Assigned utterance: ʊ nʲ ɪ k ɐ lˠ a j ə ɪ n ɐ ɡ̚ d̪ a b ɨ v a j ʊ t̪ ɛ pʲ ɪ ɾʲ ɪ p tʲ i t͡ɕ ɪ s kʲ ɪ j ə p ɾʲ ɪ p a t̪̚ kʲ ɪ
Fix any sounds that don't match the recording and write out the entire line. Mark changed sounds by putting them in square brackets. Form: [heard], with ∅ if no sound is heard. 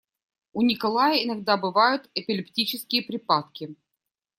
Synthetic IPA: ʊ nʲ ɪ k ɐ lˠ a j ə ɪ n ɐ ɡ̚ d̪ a b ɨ v a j ʊ t̪ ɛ pʲ ɪ [lʲ] ɪ p tʲ i t͡ɕ ɪ s kʲ ɪ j ə p ɾʲ ɪ p a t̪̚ kʲ ɪ